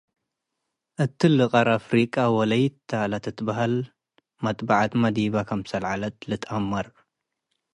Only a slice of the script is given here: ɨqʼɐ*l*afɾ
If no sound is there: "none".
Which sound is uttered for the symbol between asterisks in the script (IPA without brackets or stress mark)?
ɾ